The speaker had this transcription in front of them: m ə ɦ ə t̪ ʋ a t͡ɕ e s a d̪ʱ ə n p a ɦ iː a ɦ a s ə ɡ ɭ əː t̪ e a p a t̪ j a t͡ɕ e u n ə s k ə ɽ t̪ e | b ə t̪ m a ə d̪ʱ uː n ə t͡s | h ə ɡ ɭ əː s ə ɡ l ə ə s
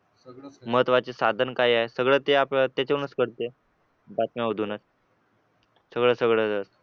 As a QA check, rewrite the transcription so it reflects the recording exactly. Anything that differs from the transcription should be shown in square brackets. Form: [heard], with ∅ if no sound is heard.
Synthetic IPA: m ə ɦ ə t̪ ʋ a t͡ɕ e s a d̪ʱ ə n [k] a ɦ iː a ɦ [e] s ə ɡ ɭ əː t̪ e a p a t̪ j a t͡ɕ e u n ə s k ə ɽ t̪ e | b [a] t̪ m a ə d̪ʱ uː n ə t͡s | [s] ə ɡ ɭ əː s ə ɡ [ɭ] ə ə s